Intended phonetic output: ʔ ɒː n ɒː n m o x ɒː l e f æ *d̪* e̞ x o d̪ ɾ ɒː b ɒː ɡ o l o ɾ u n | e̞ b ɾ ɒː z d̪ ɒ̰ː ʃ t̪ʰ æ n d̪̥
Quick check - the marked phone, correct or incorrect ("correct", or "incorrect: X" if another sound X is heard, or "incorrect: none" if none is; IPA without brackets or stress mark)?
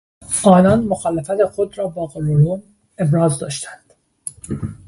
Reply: incorrect: t̪